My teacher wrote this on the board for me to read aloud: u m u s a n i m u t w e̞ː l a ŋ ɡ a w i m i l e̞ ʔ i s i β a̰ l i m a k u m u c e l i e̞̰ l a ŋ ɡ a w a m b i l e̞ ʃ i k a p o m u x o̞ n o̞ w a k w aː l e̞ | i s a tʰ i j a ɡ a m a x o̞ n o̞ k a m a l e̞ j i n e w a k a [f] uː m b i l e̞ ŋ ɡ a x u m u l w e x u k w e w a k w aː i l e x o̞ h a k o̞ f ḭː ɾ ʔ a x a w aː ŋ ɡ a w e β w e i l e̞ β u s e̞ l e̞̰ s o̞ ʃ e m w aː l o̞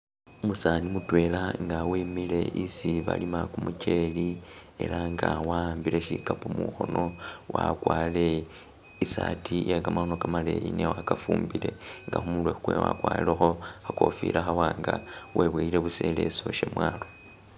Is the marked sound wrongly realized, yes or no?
no